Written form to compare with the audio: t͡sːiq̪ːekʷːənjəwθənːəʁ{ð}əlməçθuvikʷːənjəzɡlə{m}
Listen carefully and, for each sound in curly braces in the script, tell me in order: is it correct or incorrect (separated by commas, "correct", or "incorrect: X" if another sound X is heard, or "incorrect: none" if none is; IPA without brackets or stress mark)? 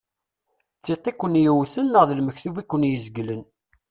correct, incorrect: n